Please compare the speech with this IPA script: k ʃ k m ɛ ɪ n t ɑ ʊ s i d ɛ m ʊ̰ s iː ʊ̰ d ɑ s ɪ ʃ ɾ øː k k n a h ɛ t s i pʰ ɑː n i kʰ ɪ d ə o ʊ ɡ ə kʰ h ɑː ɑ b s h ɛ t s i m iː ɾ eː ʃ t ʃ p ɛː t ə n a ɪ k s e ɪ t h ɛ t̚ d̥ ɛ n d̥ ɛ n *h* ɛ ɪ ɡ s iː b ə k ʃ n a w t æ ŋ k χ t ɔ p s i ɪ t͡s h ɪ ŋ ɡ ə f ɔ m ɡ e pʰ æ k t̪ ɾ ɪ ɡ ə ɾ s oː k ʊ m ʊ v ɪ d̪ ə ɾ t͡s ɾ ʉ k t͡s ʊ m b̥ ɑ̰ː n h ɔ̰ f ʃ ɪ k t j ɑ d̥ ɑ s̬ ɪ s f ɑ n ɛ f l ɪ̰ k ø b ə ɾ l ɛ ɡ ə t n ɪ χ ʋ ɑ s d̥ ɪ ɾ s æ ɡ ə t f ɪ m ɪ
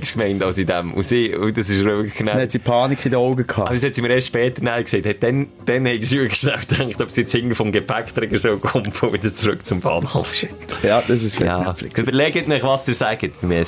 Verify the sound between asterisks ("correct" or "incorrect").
correct